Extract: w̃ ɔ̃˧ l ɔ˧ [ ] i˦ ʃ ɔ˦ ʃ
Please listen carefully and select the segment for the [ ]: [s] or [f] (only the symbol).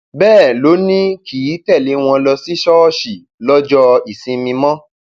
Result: s